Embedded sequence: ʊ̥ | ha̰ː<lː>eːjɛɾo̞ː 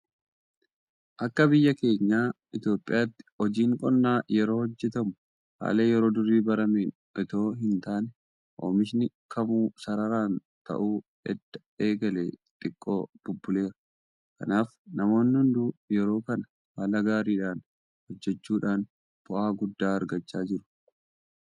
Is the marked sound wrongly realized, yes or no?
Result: yes